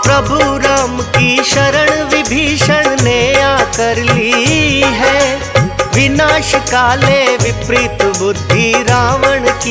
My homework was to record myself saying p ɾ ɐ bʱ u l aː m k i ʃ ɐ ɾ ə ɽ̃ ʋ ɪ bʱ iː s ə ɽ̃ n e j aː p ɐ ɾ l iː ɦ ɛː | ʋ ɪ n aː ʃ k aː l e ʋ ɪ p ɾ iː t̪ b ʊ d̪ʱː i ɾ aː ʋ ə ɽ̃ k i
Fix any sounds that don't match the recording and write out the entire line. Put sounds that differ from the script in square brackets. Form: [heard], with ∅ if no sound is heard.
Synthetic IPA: p ɾ ɐ bʱ u [ɾ] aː m k i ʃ ɐ ɾ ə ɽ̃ ʋ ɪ bʱ iː [ʃ] ə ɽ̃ n e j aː [k] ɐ ɾ l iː ɦ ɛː | ʋ ɪ n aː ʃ k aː l e ʋ ɪ p ɾ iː t̪ b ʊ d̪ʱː i ɾ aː ʋ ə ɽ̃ k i